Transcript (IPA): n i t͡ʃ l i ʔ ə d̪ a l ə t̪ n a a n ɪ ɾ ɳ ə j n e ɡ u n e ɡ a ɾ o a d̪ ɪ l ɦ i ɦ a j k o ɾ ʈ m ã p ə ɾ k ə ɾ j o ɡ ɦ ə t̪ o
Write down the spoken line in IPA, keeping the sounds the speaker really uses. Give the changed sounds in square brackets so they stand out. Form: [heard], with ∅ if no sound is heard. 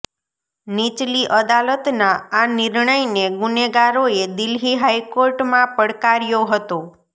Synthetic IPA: n i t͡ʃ l i ʔ ə d̪ a l ə t̪ n a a n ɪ ɾ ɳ ə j n e ɡ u n e ɡ a ɾ o [e] d̪ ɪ l ɦ i ɦ a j k o ɾ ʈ m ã p ə [ɽ] k [a] ɾ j o [∅] ɦ ə t̪ o

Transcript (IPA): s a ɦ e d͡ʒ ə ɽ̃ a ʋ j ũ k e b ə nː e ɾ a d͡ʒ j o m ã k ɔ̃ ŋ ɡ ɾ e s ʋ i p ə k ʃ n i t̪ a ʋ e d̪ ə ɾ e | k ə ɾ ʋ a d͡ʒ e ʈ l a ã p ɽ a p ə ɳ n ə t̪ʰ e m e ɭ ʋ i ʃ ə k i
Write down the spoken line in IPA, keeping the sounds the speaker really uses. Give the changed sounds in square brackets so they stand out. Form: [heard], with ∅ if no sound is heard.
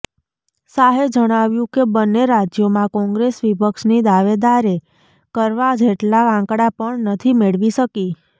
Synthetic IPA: s a ɦ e d͡ʒ ə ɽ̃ a ʋ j ũ k e b ə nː e ɾ a d͡ʒ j o m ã k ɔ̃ ŋ ɡ ɾ e s ʋ i p ə k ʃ n i [d̪] a ʋ e d̪ [a] ɾ e | k ə ɾ ʋ a d͡ʒ e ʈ l a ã [k] ɽ a p ə ɳ n ə t̪ʰ [i] m e ɭ ʋ i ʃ ə k i

